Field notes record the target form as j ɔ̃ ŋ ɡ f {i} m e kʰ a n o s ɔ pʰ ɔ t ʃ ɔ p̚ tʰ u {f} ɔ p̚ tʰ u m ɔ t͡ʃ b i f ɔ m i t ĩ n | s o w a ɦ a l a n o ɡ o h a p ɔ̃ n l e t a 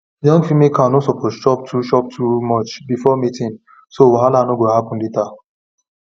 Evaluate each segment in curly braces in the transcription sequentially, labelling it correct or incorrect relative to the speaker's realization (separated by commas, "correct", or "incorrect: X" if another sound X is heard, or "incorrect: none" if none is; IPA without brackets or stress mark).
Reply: correct, incorrect: ʃ